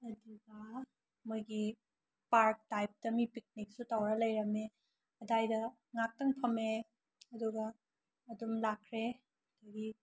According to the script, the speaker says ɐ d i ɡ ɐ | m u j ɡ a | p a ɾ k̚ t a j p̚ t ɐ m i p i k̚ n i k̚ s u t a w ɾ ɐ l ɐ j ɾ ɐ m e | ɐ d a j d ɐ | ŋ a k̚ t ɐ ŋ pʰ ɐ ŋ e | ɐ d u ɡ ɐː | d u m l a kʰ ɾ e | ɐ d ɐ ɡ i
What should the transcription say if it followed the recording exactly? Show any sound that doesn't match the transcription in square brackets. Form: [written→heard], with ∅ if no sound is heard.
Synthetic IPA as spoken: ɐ d i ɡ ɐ | m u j ɡ [a→i] | p a ɾ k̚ t a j p̚ t ɐ m i p i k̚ n i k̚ s u t a w ɾ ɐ l ɐ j ɾ ɐ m e | ɐ d a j d ɐ | ŋ a k̚ t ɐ ŋ pʰ ɐ [ŋ→m] e | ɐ d u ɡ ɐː | d u m l a kʰ ɾ e | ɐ d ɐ ɡ i